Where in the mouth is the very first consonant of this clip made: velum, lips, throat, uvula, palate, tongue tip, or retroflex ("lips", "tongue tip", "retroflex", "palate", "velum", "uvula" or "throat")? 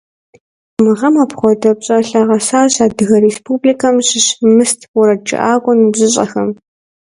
lips